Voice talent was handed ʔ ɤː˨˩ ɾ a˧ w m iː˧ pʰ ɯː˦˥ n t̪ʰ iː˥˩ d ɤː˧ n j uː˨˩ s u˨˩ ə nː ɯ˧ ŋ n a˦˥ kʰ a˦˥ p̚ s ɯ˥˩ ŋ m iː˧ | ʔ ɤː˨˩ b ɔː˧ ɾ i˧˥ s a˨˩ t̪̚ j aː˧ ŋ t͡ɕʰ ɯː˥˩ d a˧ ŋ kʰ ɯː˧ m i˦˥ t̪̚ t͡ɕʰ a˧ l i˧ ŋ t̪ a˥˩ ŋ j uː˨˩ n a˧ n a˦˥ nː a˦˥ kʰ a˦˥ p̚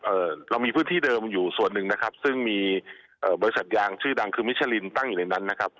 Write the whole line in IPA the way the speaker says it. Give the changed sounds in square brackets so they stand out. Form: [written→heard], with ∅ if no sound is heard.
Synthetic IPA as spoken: ʔ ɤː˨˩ ɾ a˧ w m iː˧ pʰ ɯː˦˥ n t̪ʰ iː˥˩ d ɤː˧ [n→m] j uː˨˩ s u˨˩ ə nː [ɯ˧→ɯ˨˩] ŋ n a˦˥ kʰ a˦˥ p̚ s ɯ˥˩ ŋ m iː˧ | ʔ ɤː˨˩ b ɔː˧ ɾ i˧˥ s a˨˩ t̪̚ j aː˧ ŋ t͡ɕʰ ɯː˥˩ d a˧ ŋ kʰ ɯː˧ m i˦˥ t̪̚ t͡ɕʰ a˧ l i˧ [ŋ→n] t̪ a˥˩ ŋ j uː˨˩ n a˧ n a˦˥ nː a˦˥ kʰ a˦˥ p̚